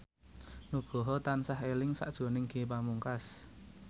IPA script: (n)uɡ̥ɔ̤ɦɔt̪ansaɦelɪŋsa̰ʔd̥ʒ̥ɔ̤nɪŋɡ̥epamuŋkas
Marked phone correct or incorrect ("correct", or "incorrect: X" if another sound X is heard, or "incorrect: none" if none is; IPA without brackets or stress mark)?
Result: correct